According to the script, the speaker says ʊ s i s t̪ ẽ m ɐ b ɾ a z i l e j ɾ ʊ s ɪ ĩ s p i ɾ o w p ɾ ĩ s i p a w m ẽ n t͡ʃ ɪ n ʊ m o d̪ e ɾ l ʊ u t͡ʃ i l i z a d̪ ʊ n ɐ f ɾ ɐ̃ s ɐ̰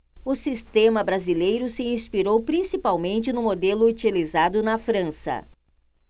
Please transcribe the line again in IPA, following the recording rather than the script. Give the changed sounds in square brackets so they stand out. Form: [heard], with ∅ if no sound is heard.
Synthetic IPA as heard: ʊ s i s t̪ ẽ m ɐ b ɾ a z i l e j ɾ ʊ s ɪ ĩ s p i ɾ o w p ɾ ĩ s i p a w m ẽ n t͡ʃ ɪ n ʊ m o d̪ e [∅] l ʊ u t͡ʃ i l i z a d̪ ʊ n ɐ f ɾ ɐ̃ s ɐ̰